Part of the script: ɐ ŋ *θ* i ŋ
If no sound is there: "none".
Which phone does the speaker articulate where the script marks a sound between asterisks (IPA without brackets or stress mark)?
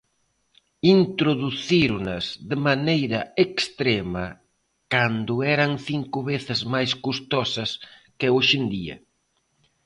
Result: θ